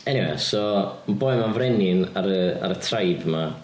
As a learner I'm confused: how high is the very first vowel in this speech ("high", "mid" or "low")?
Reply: mid